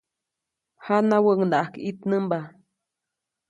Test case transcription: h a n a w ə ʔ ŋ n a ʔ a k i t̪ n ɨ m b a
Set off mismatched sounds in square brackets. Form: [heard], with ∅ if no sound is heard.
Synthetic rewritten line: h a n a w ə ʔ ŋ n a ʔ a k i t̪ n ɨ m b a